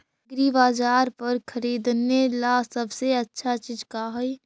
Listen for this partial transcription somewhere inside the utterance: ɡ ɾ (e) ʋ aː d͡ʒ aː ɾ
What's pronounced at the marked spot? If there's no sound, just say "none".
i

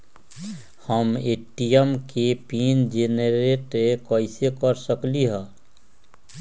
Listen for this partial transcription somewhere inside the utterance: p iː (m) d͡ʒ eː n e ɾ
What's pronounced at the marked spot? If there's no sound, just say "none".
n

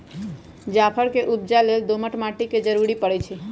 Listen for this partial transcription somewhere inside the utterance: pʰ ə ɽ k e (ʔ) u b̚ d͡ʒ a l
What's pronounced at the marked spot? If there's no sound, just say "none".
ʔ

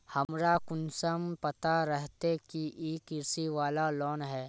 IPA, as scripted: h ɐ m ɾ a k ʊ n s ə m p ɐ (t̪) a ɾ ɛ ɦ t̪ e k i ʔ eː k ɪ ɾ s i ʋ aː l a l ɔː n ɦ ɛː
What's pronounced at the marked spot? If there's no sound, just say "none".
t̪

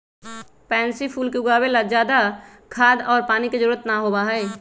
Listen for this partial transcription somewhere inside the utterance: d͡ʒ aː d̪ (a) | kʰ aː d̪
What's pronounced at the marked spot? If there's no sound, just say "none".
a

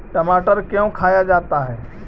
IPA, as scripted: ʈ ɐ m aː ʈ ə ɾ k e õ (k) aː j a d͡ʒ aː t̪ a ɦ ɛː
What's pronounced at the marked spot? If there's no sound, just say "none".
kʰ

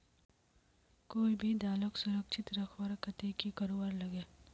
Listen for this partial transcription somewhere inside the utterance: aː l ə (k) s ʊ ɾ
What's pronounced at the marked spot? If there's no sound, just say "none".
k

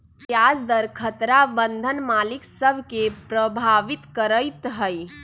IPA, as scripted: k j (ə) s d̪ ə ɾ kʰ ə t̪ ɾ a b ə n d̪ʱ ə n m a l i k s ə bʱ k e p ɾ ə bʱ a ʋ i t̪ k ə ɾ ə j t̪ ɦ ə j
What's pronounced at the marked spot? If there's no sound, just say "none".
a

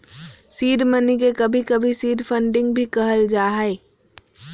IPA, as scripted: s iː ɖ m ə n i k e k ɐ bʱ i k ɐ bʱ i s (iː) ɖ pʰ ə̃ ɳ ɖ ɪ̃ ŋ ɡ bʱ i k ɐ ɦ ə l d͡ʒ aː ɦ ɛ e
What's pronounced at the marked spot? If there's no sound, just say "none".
iː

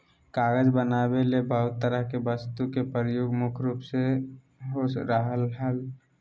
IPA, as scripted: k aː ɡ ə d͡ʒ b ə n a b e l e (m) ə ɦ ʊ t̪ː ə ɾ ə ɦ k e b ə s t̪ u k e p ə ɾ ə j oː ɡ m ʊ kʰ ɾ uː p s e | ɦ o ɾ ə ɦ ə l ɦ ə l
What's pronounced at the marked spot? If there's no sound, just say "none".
b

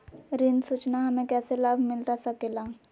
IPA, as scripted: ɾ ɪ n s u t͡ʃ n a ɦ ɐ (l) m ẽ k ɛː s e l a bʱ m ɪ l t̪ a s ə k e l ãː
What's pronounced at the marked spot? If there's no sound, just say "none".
none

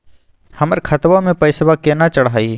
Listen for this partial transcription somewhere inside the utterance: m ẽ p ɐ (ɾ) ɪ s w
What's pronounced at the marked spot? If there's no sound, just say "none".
none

